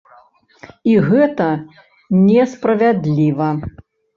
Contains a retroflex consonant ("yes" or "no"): no